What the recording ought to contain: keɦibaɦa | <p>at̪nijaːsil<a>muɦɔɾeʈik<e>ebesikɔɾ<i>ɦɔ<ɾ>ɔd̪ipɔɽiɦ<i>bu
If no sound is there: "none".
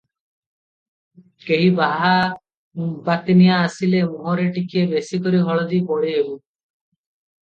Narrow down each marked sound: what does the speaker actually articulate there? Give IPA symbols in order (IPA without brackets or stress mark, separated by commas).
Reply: b, e, i, i, ɭ, e